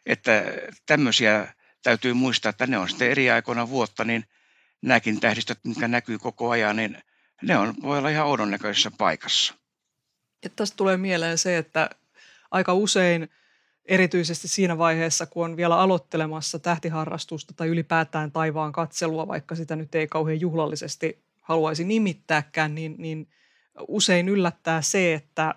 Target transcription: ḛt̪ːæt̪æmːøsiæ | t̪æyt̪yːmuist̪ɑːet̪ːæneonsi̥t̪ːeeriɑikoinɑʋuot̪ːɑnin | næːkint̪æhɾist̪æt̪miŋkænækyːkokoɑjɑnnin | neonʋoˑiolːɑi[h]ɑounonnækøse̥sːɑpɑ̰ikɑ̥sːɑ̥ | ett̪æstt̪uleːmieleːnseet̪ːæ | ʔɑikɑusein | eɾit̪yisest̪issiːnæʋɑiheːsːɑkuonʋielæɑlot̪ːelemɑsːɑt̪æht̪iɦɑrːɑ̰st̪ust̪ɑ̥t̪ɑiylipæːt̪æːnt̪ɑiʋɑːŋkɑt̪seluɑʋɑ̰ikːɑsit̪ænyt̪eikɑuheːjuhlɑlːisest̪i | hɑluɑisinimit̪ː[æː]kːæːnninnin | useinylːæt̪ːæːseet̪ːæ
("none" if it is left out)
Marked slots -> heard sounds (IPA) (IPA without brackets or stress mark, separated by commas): h, æː